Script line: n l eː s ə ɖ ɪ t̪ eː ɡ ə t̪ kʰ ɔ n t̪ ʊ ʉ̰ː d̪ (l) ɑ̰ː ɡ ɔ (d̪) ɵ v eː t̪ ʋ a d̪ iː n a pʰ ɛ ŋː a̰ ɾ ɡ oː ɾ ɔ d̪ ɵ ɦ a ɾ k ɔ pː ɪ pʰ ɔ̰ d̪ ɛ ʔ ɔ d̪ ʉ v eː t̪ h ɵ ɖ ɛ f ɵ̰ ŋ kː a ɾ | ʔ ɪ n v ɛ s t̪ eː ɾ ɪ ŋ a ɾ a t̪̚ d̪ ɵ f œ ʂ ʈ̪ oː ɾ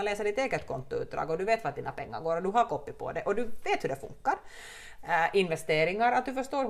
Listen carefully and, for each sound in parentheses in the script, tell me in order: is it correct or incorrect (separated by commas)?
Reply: incorrect, correct